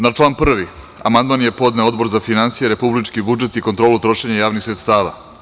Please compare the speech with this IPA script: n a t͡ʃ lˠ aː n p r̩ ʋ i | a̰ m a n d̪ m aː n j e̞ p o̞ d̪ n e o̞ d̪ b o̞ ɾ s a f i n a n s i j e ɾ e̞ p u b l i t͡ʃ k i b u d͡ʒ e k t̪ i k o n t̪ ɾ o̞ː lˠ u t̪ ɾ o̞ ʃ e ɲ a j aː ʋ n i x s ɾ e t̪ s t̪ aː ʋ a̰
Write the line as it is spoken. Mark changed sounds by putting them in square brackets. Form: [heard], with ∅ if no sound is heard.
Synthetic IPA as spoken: n a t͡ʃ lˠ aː n p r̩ ʋ i | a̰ m a n d̪ m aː n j e̞ p o̞ d̪ n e o̞ d̪ b o̞ ɾ [z] a f i n a n s i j e ɾ e̞ p u b l i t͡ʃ k i b u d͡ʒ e [∅] t̪ i k o n t̪ ɾ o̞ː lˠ u t̪ ɾ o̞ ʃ e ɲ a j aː ʋ n i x s ɾ e t̪ s t̪ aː ʋ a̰